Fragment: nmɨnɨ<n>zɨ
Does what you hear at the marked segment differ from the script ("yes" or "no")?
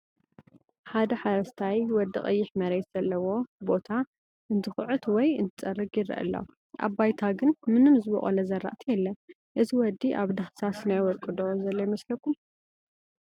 yes